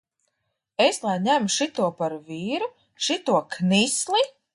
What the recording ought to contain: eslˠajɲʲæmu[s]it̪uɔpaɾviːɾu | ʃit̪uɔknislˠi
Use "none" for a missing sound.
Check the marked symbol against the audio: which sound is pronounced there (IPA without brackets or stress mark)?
ʃ